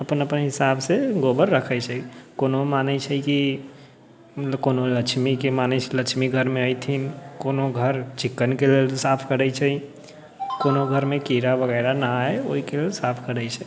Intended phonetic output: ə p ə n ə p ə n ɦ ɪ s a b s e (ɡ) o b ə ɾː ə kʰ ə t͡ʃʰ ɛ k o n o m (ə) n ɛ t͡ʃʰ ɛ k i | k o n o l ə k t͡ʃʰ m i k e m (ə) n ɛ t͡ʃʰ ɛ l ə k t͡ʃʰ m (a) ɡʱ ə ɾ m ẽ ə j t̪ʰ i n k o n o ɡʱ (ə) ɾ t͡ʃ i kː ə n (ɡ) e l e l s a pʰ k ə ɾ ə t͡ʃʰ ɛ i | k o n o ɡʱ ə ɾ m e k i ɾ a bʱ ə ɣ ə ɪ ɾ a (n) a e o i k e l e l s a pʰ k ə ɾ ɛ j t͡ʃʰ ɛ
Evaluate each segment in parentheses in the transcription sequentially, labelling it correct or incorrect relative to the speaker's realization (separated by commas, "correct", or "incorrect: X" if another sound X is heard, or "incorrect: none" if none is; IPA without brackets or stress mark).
correct, incorrect: a, incorrect: a, incorrect: i, correct, incorrect: k, correct